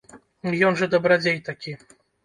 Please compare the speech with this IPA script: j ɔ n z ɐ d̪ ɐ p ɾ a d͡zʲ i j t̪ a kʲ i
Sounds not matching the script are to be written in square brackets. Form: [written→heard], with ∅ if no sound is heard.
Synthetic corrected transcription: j ɔ n [z→ʐ] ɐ d̪ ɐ [p→b] ɾ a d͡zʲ [i→e] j t̪ a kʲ i

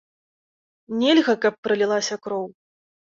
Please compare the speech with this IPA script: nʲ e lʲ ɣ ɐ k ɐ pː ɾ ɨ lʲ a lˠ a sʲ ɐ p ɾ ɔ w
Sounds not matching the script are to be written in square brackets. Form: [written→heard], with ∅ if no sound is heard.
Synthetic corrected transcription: nʲ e lʲ ɣ ɐ k ɐ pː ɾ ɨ lʲ [a→i] lˠ a sʲ ɐ [p→k] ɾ ɔ w

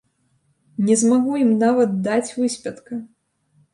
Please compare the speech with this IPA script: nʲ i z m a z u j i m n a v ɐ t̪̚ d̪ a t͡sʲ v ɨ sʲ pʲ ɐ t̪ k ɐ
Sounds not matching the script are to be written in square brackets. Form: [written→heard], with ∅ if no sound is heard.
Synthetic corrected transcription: nʲ [i→ɛ] z m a [z→ɣ] u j i m n a v ɐ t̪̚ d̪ a t͡sʲ v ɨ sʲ pʲ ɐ t̪ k ɐ

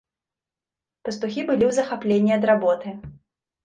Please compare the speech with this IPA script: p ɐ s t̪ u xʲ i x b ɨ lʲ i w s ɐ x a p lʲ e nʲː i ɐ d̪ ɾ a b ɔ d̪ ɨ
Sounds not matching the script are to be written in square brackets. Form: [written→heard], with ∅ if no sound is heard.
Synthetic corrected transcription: p ɐ s t̪ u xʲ i [x→∅] b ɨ lʲ i w [s→z] ɐ x a p lʲ e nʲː i ɐ d̪ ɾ a b ɔ [d̪→t̪] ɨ

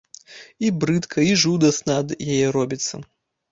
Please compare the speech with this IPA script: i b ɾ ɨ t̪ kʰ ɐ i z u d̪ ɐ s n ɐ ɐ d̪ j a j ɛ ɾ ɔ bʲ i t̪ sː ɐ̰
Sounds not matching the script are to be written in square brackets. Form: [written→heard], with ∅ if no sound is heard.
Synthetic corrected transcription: i b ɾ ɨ t̪ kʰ ɐ i [z→ʐ] u d̪ ɐ s n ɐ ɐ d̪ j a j ɛ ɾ ɔ bʲ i t̪ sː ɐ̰

